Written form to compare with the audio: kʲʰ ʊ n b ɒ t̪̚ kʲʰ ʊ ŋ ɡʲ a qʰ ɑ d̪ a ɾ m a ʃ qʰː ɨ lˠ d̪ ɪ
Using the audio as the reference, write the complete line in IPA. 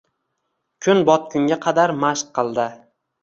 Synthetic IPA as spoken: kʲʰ ʊ n b ɒ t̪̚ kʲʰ ʊ ŋ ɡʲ a qʰ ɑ d̪ a ɾ m a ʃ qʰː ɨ lˠ d̪ ɪ

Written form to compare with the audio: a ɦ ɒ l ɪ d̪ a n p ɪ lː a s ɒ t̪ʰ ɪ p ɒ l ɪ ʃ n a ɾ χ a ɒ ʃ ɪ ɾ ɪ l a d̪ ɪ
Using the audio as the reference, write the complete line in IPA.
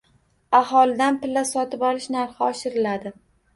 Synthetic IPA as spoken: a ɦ ɒ l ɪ d̪ a n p ɪ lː a s ɒ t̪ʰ ɪ p ɒ l ɪ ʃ n a ɾ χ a ɒ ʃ ɪ ɾ ɪ l a d̪ ɪ

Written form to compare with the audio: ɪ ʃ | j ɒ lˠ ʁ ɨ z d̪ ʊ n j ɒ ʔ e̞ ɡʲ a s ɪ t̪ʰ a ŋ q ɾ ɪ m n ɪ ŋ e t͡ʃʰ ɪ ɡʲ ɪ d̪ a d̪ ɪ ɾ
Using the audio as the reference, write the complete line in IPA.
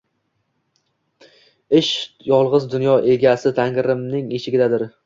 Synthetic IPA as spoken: ɪ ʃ | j ɒ lˠ ʁ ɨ z d̪ ʊ n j ɒ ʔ e̞ ɡʲ a s ɪ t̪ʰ a ŋ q ɾ ɪ m n ɪ ŋ e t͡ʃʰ ɪ ɡʲ ɪ d̪ a d̪ ɪ ɾ

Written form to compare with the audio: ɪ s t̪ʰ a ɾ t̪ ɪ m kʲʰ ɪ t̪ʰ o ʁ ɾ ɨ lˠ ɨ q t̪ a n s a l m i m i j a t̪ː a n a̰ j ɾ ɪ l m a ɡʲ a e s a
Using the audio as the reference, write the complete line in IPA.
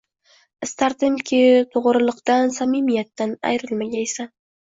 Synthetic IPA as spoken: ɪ s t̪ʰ a ɾ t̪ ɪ m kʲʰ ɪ t̪ʰ o ʁ ɾ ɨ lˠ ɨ q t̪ a n s a m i m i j a t̪ː a n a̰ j ɾ ɪ l m a ɡʲ a e s a

